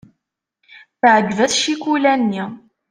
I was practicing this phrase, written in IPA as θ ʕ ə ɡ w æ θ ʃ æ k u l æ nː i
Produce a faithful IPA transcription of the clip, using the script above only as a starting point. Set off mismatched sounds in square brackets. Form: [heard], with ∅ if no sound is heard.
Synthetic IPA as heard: θ ʕ ə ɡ [v] æ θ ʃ [i] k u l æ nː i

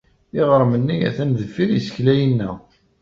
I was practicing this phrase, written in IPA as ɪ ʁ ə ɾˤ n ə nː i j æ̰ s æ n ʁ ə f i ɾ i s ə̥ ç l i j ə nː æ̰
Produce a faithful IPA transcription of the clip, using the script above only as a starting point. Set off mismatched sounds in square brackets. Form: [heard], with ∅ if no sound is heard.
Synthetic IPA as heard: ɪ ʁ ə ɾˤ [m] ə nː i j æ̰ [θ] æ n [ð] ə f i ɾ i s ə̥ ç l [æ] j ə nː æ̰

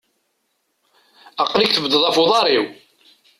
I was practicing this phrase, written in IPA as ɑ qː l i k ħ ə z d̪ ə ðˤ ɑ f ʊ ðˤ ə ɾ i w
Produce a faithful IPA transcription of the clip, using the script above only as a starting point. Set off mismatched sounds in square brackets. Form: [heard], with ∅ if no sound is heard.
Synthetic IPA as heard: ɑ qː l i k [θ] ə [v] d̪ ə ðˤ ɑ f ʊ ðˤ [ɑ] ɾ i w

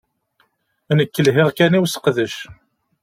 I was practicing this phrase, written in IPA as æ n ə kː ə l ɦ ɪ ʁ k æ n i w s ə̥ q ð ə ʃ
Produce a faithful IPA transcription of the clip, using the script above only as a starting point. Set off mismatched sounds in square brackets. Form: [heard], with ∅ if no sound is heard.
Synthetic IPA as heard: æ n ə kː ə l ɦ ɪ ʁ k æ n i w s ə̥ q ð ə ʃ

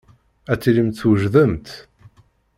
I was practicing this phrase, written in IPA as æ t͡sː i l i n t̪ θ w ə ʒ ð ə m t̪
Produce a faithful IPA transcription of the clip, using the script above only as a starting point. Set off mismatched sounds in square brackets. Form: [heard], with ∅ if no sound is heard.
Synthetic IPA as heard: æ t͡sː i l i [m] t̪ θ w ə ʒ ð ə m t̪

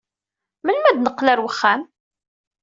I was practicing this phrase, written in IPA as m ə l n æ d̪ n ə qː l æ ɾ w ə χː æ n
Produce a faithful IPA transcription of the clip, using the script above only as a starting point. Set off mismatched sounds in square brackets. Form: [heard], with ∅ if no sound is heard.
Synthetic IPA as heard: m ə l [m] æ d̪ n ə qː l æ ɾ w ə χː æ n

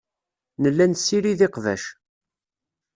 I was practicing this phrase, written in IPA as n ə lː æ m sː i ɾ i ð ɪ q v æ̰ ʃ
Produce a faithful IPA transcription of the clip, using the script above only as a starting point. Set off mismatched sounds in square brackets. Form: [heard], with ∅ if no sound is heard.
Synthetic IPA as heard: n ə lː æ [n] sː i ɾ i ð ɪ q v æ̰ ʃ

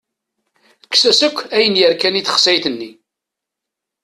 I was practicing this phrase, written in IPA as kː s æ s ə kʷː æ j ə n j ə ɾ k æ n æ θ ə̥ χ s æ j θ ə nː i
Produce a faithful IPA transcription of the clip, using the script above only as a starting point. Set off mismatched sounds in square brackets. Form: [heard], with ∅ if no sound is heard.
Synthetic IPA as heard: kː s æ s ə kʷː æ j ə n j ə ɾ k æ n [i] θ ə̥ χ s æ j θ ə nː i

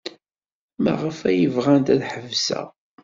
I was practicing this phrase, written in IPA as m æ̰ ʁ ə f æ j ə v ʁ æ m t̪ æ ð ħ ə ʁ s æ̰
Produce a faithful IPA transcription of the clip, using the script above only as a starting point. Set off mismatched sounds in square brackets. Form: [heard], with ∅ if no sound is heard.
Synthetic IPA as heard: m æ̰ ʁ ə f æ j ə v ʁ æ [n] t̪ æ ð ħ ə [v] s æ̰

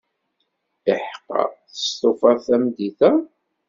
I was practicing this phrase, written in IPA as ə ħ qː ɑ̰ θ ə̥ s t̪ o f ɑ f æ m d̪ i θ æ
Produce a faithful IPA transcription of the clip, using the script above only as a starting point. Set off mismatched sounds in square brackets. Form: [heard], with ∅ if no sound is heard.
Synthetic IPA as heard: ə ħ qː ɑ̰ θ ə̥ s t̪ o f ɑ [θ] æ m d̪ i θ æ

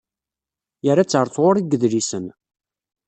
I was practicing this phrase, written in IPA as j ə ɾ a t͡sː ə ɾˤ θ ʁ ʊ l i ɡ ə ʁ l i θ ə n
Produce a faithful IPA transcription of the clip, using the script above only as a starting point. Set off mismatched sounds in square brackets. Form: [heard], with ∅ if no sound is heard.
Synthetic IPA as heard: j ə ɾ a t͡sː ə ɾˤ θ ʁ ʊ [ɾ] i ɡ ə [ð] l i [s] ə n

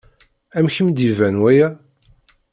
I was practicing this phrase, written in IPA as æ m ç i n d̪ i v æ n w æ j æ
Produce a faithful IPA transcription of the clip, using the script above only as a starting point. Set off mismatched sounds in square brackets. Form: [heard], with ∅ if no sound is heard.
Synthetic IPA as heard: æ m ç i [m] d̪ i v æ n w æ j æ

